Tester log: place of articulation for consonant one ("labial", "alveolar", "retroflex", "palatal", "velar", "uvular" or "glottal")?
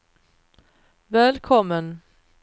labial